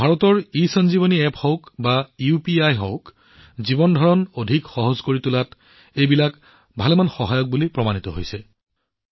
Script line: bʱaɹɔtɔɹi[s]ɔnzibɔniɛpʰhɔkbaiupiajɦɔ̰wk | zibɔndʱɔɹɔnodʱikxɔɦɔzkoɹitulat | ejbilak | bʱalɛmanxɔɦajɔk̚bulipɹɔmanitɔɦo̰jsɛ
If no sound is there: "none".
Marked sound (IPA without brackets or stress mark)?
s